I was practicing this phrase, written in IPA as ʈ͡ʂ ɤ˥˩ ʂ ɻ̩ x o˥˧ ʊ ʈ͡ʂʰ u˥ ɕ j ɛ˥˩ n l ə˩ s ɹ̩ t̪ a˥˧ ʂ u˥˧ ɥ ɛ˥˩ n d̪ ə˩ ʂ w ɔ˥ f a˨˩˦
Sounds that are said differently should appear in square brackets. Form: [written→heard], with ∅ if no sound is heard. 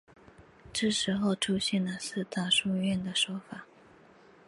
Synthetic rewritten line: ʈ͡ʂ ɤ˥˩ ʂ ɻ̩ x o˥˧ ʊ ʈ͡ʂʰ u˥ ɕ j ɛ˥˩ n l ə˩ s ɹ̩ t̪ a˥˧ ʂ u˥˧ ɥ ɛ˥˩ n d̪ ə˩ ʂ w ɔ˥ f a˨˩˦